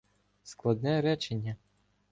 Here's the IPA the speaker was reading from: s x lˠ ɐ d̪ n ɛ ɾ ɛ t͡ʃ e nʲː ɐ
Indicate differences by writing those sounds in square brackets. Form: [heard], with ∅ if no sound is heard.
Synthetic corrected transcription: s [k] lˠ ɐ d̪ n ɛ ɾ ɛ t͡ʃ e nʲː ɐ